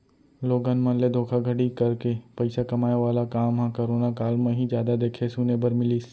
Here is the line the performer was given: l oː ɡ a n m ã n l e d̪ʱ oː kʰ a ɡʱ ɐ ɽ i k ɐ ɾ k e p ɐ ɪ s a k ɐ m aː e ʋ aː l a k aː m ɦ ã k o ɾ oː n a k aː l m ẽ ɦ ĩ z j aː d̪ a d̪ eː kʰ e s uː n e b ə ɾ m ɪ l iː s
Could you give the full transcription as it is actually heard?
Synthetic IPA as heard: l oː ɡ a n m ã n l e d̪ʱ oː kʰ a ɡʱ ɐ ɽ i k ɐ ɾ k e p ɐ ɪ s a k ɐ m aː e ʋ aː l a k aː m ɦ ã k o ɾ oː n a k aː l m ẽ ɦ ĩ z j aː d̪ a d̪ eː kʰ e s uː n e b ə ɾ m ɪ l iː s

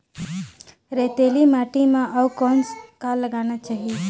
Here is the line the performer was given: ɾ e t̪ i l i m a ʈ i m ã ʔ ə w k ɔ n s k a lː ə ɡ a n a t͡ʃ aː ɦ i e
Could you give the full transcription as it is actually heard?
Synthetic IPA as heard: ɾ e t̪ e l i m a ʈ i m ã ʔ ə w k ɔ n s k a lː ə ɡ a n a t͡ʃ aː ɦ i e

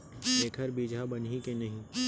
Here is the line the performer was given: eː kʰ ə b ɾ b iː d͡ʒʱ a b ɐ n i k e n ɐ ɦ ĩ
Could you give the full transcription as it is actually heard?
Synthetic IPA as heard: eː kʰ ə ɾ b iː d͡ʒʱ a b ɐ n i k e n ɐ ɦ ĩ

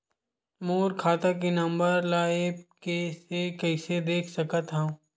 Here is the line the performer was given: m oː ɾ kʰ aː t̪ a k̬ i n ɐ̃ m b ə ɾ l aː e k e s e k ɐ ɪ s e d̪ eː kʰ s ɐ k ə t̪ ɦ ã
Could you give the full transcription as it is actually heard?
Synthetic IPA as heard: m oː ɾ kʰ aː t̪ a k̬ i n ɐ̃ m b ə ɾ l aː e k e s e k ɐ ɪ s e d̪ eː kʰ s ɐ k ə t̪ ɦ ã

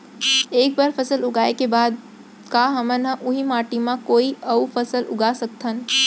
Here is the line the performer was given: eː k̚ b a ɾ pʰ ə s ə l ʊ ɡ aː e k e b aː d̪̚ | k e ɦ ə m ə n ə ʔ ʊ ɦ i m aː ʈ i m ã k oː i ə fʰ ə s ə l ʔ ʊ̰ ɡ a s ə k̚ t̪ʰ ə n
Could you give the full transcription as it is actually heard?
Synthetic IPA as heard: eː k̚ b a ɾ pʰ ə s ə l ʊ ɡ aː e k e b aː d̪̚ | k a ɦ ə m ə n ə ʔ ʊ ɦ i m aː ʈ i m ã k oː i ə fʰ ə s ə l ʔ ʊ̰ ɡ a s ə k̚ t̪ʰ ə n

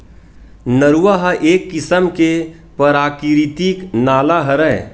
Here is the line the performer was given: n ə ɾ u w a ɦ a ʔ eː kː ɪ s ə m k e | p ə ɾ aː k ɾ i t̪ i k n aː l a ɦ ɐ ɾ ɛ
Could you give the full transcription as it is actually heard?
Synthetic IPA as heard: n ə ɾ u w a ɦ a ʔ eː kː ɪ s ə m k e | p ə ɾ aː k ɾ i t̪ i k n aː l a ɦ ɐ ɾ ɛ

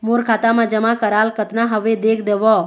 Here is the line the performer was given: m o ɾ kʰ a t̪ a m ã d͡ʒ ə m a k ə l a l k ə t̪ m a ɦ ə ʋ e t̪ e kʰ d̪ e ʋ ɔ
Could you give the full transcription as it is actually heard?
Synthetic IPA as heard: m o ɾ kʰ a t̪ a m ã d͡ʒ ə m a k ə ɾ a l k ə t̪ n a ɦ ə ʋ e d̪ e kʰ d̪ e ʋ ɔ

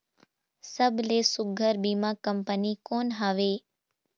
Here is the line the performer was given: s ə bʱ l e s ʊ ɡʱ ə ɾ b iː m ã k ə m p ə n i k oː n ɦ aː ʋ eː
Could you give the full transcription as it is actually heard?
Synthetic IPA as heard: s ə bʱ l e s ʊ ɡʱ ə ɾ b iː m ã k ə m p ə n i k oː n ɦ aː ʋ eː

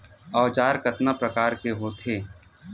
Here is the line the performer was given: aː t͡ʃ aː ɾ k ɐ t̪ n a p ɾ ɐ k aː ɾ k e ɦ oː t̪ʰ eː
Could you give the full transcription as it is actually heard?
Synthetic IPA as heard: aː t͡ʃ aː ɾ k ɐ t̪ n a p ɾ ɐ k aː ɾ k e ɦ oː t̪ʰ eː

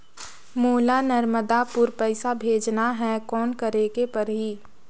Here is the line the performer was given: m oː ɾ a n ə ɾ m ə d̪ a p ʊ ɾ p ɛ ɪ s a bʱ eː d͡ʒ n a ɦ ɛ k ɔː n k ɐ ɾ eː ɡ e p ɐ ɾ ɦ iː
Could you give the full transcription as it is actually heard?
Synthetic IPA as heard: m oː l a n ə ɾ m ə d̪ a p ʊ ɾ p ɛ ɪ s a bʱ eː d͡ʒ n a ɦ ɛ k ɔː n k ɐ ɾ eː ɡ e p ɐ ɾ ɦ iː

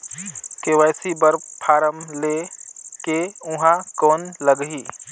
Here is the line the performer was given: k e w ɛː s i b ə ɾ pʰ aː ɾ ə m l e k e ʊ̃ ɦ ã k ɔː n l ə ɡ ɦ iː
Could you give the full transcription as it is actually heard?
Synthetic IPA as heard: k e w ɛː s i b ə ɾ pʰ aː ɾ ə m l e k e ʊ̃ ɦ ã k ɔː n l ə ɡ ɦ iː

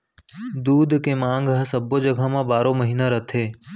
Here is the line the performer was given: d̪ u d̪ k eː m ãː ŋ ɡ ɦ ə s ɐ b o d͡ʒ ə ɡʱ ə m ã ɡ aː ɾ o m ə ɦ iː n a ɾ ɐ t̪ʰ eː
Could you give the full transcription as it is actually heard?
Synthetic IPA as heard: d̪ uː d̪ k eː m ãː ŋ ɡ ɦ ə s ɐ b o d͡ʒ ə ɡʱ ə m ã b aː ɾ o m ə ɦ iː n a ɾ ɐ t̪ʰ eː

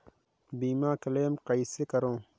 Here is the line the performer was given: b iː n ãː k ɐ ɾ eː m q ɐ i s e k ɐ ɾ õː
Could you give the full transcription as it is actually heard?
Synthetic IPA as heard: b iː m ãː k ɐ l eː m q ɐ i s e k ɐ ɾ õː

